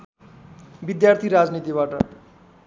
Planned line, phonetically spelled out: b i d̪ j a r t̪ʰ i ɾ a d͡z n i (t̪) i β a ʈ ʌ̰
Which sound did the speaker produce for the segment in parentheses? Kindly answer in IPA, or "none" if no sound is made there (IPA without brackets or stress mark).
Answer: t̪